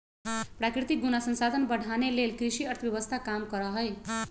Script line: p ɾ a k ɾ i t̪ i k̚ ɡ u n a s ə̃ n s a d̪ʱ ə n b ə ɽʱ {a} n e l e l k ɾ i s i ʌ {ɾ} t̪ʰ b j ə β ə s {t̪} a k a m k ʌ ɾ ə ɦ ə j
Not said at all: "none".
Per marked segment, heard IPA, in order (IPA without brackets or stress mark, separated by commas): a, ɾ, t̪ʰ